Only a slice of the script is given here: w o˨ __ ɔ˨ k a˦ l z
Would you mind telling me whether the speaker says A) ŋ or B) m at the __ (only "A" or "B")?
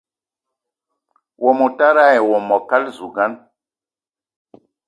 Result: B